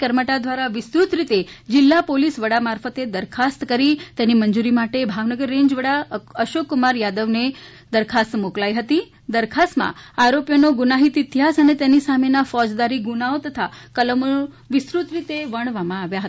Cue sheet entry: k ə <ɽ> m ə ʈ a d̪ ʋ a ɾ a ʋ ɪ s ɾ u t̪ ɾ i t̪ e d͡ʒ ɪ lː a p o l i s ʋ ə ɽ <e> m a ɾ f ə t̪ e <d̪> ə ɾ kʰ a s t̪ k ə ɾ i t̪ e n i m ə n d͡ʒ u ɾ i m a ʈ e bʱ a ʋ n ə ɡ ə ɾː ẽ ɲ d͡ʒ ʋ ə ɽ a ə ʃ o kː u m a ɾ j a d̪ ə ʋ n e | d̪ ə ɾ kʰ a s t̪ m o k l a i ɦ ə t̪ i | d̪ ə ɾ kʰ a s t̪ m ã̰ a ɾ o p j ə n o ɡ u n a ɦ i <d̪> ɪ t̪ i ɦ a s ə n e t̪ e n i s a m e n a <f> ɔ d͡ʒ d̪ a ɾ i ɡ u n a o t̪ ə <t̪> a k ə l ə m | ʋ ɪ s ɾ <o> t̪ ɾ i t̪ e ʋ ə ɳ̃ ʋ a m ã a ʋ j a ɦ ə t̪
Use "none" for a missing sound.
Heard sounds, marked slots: ɾ, a, d̪, t̪, f, t̪ʰ, u

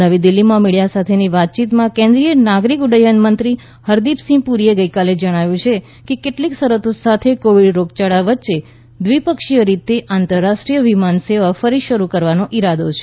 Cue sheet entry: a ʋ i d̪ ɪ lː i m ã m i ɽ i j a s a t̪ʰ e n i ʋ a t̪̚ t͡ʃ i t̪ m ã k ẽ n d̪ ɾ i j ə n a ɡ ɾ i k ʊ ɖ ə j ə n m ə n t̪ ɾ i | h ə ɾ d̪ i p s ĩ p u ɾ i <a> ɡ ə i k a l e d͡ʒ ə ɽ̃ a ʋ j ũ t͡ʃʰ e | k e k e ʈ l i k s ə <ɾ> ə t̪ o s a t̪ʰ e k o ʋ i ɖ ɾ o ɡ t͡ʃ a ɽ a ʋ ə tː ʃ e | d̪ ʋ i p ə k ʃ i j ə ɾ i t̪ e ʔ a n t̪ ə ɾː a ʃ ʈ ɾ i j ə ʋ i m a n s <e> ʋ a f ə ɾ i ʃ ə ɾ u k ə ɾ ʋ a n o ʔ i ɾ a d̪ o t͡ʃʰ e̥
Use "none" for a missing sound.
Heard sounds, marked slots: e, ɾ, e

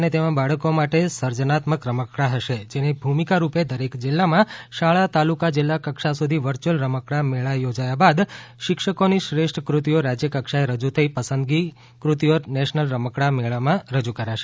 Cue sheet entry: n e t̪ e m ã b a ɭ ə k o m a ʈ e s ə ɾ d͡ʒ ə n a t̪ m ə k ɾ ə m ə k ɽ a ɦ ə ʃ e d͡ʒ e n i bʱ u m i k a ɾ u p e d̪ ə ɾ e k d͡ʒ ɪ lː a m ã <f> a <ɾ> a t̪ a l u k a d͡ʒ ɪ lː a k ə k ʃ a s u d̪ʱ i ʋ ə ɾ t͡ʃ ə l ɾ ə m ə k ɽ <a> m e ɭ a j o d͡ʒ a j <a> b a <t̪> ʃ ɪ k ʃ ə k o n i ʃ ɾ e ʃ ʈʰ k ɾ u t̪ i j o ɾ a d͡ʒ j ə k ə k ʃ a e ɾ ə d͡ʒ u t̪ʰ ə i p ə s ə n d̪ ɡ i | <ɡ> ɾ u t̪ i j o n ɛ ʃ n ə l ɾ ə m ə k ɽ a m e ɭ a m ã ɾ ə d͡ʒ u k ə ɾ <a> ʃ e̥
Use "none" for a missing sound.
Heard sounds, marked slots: ʃ, ɭ, a, a, d̪, k, a

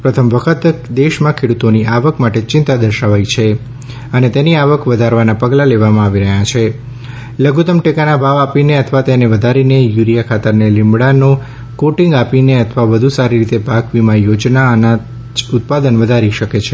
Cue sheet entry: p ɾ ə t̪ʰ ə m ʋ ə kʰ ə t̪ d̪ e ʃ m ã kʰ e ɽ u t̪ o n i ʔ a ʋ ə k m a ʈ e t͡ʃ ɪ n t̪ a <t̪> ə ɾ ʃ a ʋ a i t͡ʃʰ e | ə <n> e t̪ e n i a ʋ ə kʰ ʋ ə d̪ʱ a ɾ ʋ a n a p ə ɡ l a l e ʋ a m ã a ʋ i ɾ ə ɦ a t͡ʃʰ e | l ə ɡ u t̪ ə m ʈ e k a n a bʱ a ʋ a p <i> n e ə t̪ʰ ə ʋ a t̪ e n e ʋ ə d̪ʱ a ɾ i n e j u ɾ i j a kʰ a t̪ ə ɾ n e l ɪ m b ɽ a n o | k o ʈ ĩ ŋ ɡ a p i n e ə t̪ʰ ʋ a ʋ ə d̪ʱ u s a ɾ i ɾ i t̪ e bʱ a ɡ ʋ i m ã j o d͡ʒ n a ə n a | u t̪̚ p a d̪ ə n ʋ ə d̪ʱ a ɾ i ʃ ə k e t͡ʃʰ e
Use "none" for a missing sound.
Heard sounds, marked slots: d̪, n, i

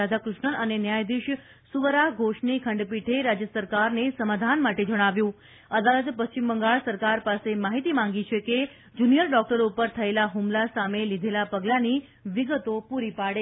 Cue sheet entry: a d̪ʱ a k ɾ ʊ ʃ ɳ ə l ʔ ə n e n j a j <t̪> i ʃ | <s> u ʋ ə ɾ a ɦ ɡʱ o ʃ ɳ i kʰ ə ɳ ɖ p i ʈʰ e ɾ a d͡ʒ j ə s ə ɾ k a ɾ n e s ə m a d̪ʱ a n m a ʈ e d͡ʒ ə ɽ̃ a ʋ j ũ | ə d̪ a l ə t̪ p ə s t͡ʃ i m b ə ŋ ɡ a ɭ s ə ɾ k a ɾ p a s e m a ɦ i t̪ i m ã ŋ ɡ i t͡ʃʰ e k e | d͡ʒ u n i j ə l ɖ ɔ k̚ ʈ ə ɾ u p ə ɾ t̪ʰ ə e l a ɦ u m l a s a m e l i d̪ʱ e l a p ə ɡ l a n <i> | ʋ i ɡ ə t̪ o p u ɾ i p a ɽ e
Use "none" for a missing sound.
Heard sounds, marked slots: d̪, s, i

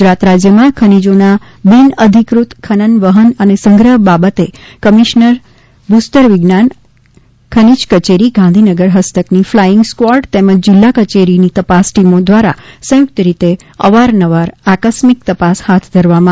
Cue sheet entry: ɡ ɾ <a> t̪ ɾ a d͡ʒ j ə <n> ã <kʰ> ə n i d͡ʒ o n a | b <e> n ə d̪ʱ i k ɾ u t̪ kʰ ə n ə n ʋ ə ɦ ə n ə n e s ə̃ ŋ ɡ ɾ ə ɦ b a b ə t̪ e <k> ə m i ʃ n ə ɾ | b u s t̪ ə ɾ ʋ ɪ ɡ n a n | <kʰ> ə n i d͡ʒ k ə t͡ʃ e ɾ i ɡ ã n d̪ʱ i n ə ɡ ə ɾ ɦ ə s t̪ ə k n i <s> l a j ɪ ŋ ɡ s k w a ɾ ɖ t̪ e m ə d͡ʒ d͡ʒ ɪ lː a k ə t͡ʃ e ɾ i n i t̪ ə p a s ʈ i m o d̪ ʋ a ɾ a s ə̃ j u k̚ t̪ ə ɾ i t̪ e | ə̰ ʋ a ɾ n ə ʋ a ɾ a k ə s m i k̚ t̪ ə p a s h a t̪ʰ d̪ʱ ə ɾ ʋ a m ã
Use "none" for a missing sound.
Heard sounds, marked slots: a, m, kʰ, i, k, kʰ, f

